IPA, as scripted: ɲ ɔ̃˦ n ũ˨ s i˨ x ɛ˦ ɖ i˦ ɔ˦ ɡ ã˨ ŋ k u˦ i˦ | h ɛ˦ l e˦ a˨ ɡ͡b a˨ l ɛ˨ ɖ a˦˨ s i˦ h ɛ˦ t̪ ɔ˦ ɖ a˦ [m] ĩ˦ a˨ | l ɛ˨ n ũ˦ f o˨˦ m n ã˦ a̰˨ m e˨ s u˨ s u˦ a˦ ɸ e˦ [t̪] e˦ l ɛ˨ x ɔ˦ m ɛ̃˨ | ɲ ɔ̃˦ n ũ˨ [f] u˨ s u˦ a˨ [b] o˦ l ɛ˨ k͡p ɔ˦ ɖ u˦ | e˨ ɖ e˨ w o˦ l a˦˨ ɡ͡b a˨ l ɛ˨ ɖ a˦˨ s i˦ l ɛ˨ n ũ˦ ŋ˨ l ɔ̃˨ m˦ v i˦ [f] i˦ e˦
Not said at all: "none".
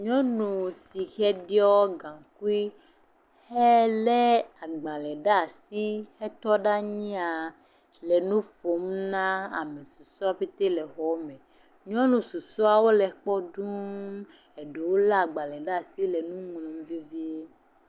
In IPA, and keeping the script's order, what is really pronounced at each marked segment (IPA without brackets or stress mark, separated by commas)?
ɲ, t̪, s, w, v